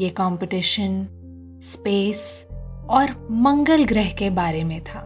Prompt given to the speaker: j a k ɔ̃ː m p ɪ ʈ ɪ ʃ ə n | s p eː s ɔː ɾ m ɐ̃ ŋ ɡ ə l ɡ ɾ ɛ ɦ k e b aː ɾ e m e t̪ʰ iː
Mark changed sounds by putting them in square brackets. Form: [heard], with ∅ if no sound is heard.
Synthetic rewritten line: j [e] k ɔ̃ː m p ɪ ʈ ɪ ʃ ə n | s p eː s ɔː ɾ m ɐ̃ ŋ ɡ ə l ɡ ɾ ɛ ɦ k e b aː ɾ e m [ẽ] t̪ʰ [aː]